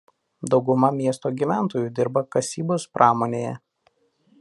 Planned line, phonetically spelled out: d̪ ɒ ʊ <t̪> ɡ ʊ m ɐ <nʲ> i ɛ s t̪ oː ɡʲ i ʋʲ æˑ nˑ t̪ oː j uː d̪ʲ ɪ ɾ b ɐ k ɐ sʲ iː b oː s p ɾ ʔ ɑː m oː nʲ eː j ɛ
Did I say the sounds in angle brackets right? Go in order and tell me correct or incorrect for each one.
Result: incorrect, incorrect

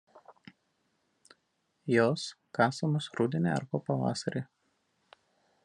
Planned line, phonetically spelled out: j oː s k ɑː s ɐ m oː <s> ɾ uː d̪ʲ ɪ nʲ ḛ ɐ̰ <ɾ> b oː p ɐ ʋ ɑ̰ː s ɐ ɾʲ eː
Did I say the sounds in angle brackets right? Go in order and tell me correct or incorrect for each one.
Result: correct, correct

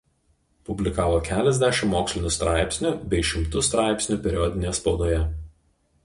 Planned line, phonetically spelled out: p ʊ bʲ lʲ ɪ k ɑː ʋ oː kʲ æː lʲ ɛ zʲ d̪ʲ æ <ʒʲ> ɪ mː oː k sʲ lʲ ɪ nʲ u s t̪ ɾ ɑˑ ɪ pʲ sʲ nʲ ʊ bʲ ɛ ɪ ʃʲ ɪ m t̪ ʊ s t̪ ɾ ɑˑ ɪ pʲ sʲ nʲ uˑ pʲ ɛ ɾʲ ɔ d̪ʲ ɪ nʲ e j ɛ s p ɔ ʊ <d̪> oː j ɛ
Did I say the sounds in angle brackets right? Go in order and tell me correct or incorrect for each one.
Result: incorrect, correct

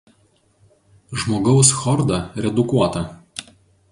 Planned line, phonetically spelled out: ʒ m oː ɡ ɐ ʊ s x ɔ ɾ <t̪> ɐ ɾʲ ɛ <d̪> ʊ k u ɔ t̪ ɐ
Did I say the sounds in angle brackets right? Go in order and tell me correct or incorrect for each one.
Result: incorrect, correct

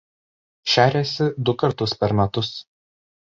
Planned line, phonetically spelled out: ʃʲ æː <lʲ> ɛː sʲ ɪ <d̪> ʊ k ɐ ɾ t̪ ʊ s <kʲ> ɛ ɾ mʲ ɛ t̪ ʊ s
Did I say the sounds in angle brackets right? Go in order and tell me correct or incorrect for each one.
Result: incorrect, correct, incorrect

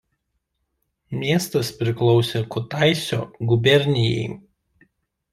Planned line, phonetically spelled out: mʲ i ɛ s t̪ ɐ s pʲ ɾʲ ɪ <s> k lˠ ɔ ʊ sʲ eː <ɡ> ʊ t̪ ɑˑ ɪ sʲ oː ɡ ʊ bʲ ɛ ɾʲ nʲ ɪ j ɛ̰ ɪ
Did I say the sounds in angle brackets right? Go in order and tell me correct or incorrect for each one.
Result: incorrect, incorrect

